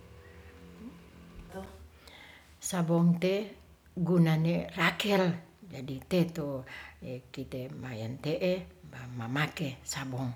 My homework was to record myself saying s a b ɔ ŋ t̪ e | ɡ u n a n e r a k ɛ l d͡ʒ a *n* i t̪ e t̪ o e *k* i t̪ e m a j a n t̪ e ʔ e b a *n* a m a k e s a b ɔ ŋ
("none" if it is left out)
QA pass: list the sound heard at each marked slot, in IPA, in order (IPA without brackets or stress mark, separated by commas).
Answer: d, k, m